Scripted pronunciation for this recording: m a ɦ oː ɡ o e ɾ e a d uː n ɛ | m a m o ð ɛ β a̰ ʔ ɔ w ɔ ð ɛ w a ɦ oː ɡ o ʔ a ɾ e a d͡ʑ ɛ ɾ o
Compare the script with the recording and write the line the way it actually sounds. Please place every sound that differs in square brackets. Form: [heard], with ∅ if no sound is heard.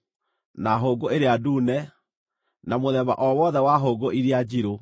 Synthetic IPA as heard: [n] a ɦ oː ɡ o e ɾ e a d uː n ɛ | [n] a m o ð ɛ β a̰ ʔ ɔ w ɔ ð ɛ w a ɦ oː ɡ o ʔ [i] ɾ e a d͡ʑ [i] ɾ o

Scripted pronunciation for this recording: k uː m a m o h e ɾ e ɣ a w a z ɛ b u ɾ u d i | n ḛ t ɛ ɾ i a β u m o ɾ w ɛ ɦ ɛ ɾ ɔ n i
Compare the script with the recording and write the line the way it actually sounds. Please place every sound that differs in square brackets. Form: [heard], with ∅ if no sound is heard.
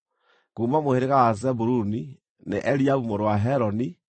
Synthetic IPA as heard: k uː m a m o h e ɾ e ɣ a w a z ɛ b u ɾ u [n] i | n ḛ [ʔ] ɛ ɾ i a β u m o ɾ w [a] ɦ ɛ ɾ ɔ n i

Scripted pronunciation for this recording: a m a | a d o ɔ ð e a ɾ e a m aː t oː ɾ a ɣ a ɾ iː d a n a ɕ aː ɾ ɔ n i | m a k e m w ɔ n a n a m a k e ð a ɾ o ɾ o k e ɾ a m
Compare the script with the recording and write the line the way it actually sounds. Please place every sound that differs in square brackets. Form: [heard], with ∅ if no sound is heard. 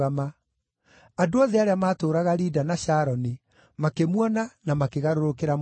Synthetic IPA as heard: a m a | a d o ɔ ð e a ɾ e a m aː t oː ɾ a ɣ a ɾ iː d a n a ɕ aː ɾ ɔ n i | m a k e m w ɔ n a n a m a k e [ɣ] a ɾ o ɾ o k e ɾ a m

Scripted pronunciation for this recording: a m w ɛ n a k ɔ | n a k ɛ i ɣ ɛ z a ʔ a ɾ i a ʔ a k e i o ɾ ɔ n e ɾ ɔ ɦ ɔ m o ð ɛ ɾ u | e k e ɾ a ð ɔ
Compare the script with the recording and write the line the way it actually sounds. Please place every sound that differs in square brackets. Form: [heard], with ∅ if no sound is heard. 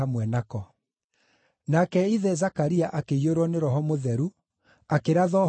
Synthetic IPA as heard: a m w ɛ n a k ɔ | n a k ɛ i [ð] ɛ z a [k] a ɾ i a ʔ a k e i o ɾ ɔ n e ɾ ɔ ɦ ɔ m o ð ɛ ɾ u | [a] k e ɾ a ð ɔ

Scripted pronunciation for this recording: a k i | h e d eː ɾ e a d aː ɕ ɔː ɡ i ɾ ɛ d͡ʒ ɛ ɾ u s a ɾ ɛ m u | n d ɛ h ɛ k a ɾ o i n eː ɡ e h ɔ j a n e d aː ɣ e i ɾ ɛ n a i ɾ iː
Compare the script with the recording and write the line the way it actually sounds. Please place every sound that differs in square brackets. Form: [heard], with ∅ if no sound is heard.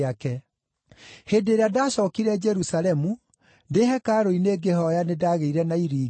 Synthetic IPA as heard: a k [ɛ] | h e d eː ɾ e a d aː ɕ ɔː [k] i ɾ ɛ d͡ʒ ɛ ɾ u s a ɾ ɛ m u | n d [e] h ɛ k a ɾ o i n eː ɡ e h ɔ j a n e d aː ɣ e i ɾ ɛ n a i ɾ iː

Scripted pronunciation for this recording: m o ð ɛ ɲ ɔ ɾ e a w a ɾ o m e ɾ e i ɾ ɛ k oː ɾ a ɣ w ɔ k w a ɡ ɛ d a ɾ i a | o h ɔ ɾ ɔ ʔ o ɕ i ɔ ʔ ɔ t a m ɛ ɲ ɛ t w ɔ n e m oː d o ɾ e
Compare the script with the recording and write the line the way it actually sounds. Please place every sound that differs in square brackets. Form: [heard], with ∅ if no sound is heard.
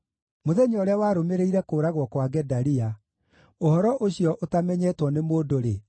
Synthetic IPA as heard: m o ð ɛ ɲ ɔ ɾ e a w a ɾ o m e ɾ e i ɾ ɛ k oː ɾ a ɣ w ɔ k w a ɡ ɛ d a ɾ i a | o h ɔ ɾ ɔ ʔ o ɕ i ɔ ʔ [o] t a m ɛ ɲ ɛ t w ɔ n e m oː d o ɾ e

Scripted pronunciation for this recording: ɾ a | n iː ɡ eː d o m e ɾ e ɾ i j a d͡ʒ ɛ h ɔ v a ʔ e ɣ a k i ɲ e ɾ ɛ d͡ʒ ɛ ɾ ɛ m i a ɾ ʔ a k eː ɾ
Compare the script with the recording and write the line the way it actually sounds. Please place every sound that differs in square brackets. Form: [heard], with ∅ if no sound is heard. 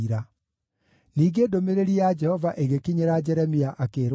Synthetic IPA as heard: ɾ a | n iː ɡ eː d o m e ɾ e ɾ i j a d͡ʒ ɛ h ɔ v a ʔ e ɣ [e] k i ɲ e ɾ [a] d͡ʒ ɛ ɾ ɛ m i a [∅] ʔ a k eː ɾ

